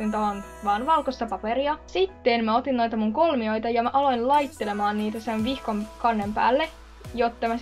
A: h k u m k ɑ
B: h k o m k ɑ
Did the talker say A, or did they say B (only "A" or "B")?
B